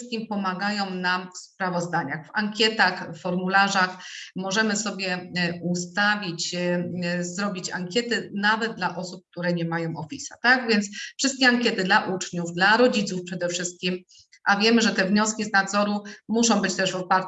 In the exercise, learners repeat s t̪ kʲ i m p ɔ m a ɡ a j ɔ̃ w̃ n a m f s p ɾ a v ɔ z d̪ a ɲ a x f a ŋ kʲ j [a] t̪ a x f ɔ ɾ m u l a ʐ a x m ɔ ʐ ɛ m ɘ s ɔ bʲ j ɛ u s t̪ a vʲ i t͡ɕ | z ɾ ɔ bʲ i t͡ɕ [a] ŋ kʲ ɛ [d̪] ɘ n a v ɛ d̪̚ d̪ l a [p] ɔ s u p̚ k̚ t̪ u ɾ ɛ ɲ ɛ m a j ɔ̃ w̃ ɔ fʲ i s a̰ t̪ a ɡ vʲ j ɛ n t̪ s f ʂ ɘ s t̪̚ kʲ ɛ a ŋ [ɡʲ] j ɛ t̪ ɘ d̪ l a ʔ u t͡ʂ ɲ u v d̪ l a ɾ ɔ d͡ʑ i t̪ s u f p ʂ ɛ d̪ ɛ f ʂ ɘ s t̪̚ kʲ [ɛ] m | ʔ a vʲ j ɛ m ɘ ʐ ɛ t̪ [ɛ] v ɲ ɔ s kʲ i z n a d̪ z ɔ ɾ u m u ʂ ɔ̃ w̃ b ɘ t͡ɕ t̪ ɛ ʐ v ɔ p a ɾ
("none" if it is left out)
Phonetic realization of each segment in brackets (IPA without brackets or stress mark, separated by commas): ɛ, a, t̪, ʔ, kʲ, i, ɛ